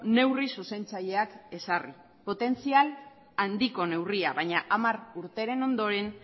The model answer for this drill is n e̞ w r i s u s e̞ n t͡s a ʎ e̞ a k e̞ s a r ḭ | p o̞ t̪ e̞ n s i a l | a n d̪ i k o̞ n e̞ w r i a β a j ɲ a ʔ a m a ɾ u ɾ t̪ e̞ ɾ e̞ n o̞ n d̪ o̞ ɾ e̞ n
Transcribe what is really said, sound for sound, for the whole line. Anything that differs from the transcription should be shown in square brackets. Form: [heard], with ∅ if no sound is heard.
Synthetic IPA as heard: n e̞ w r i s u s e̞ n t͡s a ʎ e̞ a k e̞ s a r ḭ | p o̞ t̪ e̞ n [t͡s] i a l | a n d̪ i k o̞ n e̞ w r i a β a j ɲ a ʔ a m a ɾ u ɾ t̪ e̞ ɾ e̞ n o̞ n d̪ o̞ ɾ e̞ n